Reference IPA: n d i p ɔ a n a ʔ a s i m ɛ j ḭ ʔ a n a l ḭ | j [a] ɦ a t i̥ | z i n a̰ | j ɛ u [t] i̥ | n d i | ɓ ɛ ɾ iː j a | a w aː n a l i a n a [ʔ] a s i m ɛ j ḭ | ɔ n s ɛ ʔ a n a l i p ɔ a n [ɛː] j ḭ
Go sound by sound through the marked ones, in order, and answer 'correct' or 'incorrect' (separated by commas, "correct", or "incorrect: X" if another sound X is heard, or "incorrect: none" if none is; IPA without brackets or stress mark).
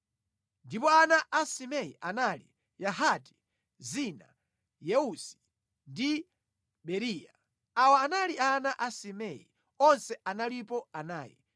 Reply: correct, incorrect: s, correct, incorrect: aː